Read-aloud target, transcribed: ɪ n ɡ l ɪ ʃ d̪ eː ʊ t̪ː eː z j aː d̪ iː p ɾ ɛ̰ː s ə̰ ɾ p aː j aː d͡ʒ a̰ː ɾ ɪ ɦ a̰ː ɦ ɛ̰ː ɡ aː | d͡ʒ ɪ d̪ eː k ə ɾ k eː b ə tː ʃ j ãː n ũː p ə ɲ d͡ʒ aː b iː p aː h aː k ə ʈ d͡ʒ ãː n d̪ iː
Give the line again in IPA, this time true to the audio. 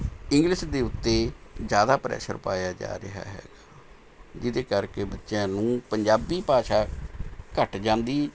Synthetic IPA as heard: ɪ ŋ ɡ l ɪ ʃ d̪ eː ʊ t̪ː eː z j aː d̪ aː p ɾ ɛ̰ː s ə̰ ɾ p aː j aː d͡ʒ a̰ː ɾ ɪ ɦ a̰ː ɦ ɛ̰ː ɡ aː | d͡ʒ ɪ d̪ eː k ə ɾ k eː b ə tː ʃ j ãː n ũː p ə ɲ d͡ʒ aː b iː p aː ʃ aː k ə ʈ d͡ʒ ãː n d̪ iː

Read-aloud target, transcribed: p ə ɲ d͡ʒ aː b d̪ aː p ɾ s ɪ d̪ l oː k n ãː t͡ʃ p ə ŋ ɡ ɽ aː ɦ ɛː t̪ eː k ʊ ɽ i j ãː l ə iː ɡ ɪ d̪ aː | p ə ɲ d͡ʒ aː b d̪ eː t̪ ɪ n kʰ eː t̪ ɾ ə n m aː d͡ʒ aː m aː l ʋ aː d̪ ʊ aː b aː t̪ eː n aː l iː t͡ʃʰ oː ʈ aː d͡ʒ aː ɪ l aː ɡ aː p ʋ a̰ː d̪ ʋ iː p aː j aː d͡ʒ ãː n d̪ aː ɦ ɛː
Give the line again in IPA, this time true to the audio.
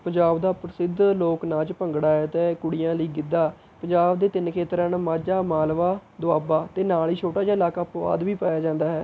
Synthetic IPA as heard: p ə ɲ d͡ʒ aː b d̪ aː p ɾ s ɪ d̪ l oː k n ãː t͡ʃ p ə ŋ ɡ ɽ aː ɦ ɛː t̪ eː k ʊ ɽ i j ãː l ə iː ɡ ɪ d̪ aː | p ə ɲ d͡ʒ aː b d̪ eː t̪ ɪ n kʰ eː t̪ ɾ ə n m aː d͡ʒ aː m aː l ʋ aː d̪ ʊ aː b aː t̪ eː n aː l iː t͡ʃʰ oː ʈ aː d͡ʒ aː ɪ l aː k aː p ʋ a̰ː d̪ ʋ iː p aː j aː d͡ʒ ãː n d̪ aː ɦ ɛː

